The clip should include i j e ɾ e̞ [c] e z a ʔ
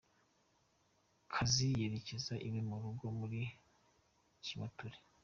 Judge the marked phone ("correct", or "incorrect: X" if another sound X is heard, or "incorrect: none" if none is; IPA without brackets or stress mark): correct